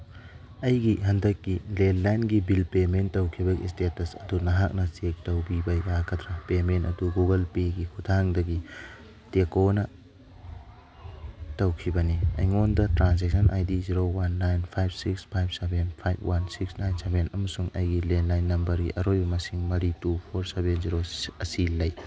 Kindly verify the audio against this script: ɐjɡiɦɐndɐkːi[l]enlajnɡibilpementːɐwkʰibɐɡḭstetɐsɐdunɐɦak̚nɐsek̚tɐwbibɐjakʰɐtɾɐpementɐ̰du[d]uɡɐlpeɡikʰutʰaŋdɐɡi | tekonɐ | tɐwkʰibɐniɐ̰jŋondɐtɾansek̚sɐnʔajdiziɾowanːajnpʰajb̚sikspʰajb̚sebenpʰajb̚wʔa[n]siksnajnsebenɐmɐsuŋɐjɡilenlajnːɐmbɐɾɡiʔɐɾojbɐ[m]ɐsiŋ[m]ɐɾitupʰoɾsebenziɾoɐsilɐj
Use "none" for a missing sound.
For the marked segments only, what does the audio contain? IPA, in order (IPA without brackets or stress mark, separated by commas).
l, ɡ, n, m, m